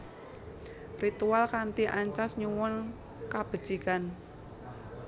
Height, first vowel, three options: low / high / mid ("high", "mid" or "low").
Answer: high